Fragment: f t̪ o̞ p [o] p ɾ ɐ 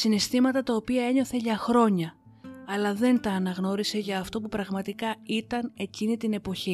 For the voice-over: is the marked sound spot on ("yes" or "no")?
no